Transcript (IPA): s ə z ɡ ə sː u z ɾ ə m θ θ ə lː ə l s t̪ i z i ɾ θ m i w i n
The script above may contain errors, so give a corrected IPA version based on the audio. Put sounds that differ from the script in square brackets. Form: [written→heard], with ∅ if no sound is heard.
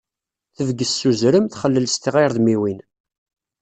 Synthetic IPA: [s→θ] ə [z→v] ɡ ə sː u z ɾ ə m θ [θ→χ] ə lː ə l s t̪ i [z→ʁ] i ɾ [θ→ð] m i w i n